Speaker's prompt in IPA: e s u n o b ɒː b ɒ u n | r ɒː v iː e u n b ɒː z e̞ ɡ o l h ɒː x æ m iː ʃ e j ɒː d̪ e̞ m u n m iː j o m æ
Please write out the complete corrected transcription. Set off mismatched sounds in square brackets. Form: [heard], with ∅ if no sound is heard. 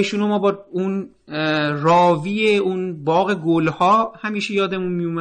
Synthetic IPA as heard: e [ʃ] u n o [m] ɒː b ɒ u n | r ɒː v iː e u n b ɒː [ɣ] e̞ ɡ o l h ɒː [h] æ m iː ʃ e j ɒː d̪ e̞ m u n m [i] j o m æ